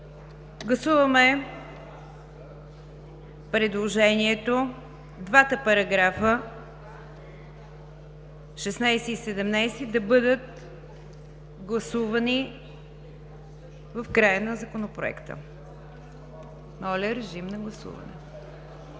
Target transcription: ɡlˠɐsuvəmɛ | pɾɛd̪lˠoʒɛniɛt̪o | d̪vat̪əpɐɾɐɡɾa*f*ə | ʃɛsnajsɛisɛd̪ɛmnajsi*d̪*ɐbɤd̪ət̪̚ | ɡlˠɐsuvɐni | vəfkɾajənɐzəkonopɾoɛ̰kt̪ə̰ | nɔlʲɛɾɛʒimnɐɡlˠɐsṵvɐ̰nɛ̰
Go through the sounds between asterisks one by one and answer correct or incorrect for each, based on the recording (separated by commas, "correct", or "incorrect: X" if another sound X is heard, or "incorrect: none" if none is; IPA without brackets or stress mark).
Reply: correct, correct